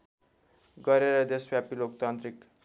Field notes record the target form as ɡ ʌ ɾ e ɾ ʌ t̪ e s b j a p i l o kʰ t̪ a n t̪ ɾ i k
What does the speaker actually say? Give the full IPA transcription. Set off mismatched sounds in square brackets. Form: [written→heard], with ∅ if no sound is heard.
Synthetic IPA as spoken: ɡ ʌ ɾ e ɾ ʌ [t̪→d̪] e s b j a p i l o [kʰ→k] t̪ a n t̪ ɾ i k